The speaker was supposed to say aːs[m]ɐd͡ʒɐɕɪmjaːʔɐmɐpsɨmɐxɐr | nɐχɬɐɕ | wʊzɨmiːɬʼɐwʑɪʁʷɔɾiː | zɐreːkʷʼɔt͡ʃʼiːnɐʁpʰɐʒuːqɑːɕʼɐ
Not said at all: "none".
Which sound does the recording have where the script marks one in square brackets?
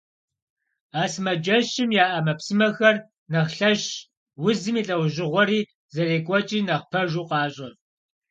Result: m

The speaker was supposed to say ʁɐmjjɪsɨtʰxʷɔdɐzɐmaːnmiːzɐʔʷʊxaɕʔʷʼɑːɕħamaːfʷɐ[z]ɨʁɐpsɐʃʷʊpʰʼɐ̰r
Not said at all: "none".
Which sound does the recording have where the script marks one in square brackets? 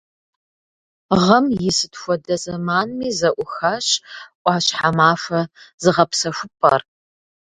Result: z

